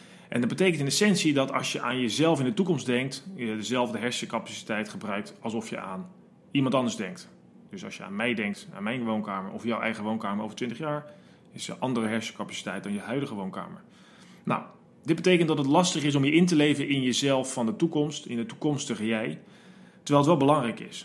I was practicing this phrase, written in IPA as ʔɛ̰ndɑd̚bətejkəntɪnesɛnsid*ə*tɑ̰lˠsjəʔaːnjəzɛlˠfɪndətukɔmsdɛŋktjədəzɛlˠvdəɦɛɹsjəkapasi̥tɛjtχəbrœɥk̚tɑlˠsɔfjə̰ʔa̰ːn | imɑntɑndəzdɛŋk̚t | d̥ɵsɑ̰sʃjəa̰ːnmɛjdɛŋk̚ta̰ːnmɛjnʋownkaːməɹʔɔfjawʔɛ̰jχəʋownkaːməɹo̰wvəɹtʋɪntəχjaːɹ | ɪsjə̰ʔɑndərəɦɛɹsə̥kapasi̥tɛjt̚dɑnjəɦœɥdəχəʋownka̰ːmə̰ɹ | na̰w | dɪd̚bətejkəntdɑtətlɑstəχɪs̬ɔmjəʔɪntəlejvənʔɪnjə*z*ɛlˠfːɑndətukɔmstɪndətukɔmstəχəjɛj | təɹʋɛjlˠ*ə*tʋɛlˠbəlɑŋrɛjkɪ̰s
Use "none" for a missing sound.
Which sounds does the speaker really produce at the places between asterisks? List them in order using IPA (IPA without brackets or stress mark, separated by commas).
ɑ, z, ə